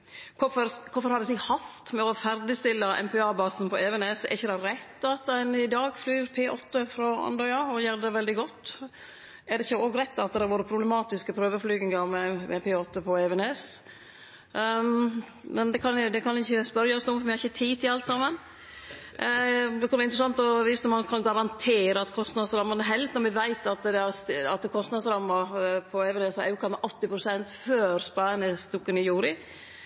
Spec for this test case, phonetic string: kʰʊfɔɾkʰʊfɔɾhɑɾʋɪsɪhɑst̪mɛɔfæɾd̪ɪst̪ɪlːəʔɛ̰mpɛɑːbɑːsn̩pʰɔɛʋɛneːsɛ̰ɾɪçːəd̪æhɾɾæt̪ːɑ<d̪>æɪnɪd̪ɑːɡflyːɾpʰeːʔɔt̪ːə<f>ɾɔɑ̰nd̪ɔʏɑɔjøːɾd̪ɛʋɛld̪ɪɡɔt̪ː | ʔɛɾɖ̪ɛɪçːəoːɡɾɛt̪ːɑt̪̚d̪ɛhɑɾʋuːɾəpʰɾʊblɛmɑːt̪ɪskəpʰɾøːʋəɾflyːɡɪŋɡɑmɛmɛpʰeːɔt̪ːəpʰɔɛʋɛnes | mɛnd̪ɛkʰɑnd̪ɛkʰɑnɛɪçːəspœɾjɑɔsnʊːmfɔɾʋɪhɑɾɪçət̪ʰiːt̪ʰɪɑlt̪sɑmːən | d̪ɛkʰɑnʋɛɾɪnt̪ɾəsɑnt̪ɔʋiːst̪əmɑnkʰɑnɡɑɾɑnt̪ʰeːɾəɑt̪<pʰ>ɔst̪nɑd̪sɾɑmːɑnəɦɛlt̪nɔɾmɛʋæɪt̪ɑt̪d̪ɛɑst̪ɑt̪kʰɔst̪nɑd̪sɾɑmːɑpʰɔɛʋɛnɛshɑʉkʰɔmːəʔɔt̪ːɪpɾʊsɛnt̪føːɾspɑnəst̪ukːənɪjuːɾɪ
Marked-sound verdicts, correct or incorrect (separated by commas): incorrect, correct, incorrect